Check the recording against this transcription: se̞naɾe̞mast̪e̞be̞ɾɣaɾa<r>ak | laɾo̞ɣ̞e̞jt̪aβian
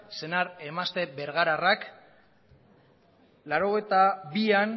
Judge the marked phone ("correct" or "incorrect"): correct